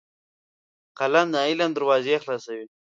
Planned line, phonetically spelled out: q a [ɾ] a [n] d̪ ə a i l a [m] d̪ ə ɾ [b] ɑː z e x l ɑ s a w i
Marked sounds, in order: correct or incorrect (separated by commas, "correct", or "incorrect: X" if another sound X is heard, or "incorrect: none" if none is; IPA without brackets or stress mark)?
incorrect: l, correct, incorrect: n, incorrect: w